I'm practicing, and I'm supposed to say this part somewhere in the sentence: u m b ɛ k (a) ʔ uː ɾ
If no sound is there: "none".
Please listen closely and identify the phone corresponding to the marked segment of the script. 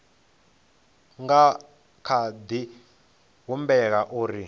a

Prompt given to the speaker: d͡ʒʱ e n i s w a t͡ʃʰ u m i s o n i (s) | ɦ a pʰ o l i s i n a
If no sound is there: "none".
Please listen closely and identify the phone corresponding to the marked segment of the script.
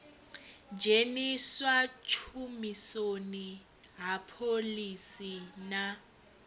none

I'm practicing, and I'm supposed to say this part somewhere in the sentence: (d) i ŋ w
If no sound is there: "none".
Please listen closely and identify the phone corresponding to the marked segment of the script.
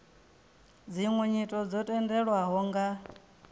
d͡z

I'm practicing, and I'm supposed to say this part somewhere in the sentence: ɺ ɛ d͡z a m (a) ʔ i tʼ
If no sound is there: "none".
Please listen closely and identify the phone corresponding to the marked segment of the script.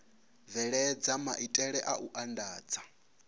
a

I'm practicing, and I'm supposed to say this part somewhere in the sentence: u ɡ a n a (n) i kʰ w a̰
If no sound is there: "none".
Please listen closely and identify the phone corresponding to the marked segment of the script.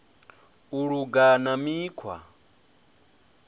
m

